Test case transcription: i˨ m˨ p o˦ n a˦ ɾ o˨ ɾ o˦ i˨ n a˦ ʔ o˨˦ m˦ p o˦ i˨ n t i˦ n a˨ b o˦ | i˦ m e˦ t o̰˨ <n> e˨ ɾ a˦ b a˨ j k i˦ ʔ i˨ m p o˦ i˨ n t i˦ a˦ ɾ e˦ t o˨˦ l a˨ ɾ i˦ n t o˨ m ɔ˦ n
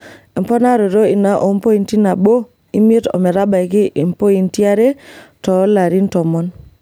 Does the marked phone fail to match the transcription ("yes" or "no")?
yes